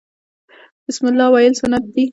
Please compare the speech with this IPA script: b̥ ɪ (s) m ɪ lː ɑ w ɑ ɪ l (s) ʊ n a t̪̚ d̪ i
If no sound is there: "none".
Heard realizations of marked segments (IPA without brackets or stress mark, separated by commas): s, s